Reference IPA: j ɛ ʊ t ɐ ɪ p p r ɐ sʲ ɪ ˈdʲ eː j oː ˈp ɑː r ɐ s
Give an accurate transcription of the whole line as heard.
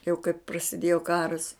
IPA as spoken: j ɛ ʊ k ɐ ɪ p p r ɐ sʲ ɪ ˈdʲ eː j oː ˈk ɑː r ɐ s